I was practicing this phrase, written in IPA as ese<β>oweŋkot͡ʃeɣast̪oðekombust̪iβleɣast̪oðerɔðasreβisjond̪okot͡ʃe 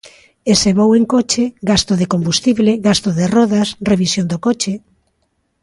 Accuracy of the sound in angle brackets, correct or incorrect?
correct